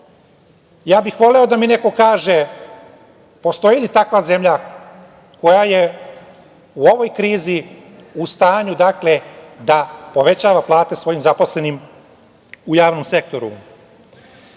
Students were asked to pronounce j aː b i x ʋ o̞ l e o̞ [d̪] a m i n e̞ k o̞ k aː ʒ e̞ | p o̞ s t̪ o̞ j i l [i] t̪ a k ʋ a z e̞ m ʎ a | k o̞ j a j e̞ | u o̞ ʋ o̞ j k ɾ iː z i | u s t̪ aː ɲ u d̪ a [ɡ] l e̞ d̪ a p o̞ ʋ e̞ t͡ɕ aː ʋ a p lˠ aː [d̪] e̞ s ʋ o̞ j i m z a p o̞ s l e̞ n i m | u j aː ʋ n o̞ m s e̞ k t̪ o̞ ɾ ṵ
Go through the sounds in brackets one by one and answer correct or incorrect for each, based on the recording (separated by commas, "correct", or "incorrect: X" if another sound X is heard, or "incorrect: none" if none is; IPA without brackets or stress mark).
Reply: correct, correct, incorrect: k, incorrect: t̪